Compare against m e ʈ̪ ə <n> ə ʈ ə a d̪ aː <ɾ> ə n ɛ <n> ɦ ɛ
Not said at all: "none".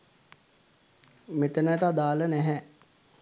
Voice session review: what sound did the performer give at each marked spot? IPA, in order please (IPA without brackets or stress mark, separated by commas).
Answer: n, l, none